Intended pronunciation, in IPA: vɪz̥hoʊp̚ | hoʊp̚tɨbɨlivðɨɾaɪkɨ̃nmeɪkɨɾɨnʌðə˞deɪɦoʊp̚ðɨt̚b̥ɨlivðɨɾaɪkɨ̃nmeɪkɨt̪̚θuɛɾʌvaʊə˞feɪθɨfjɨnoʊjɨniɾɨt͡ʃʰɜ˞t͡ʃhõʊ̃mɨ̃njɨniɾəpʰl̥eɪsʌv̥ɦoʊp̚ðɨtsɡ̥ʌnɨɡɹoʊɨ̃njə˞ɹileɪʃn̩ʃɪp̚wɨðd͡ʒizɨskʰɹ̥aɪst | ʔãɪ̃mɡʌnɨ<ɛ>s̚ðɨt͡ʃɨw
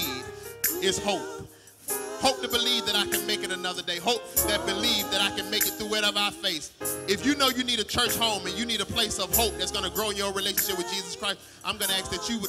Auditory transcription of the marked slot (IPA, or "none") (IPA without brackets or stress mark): æ